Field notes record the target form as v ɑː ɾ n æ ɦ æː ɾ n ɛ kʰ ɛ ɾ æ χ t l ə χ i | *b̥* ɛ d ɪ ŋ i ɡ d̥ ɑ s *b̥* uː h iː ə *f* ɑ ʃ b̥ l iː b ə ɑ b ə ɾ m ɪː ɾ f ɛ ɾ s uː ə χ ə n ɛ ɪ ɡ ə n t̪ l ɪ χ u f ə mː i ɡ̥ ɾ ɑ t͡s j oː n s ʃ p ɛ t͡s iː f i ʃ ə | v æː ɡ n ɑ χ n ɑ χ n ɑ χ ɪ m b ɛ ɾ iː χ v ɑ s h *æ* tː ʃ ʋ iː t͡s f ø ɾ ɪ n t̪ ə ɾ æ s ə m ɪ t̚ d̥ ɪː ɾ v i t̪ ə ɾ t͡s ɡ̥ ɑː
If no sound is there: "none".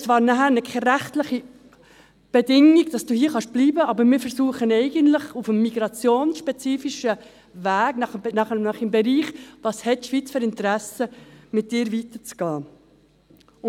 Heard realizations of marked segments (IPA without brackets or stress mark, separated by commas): b̥, d̥, χ, ɛ